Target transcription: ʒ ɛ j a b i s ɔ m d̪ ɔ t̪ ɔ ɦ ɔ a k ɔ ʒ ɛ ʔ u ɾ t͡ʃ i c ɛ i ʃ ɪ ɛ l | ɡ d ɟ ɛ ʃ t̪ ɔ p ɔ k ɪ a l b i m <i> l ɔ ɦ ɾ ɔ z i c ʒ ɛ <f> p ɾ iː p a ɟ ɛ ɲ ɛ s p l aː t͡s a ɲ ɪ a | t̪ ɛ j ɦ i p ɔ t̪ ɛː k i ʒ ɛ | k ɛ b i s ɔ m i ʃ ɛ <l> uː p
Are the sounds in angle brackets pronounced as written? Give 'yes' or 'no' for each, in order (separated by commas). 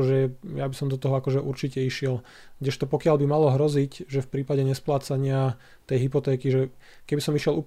no, yes, yes